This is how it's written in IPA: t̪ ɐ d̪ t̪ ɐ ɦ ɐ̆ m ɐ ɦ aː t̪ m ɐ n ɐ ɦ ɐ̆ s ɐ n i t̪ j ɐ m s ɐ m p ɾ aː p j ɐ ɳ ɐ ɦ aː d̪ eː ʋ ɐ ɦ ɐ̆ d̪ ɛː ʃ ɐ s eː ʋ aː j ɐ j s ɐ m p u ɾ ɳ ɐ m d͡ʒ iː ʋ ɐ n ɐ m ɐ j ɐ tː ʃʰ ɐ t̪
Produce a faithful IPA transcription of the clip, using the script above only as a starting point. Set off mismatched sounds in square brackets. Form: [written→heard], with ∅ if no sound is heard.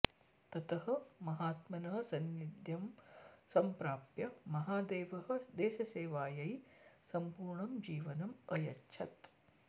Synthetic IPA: t̪ ɐ [d̪→∅] t̪ ɐ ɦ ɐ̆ m ɐ ɦ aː t̪ m ɐ n ɐ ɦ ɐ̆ s ɐ n i [t̪→d̪] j ɐ m s ɐ m p ɾ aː p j ɐ [ɳ→m] ɐ ɦ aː d̪ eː ʋ ɐ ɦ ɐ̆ d̪ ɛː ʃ ɐ s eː ʋ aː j ɐ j s ɐ m p [u→uː] ɾ ɳ ɐ m d͡ʒ iː ʋ ɐ n ɐ m ɐ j ɐ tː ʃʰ ɐ t̪